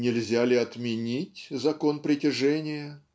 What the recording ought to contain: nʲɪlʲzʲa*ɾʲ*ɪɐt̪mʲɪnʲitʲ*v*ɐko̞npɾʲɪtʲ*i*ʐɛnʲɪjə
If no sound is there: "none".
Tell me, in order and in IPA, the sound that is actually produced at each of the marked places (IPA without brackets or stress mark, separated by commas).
lʲ, z, ɪ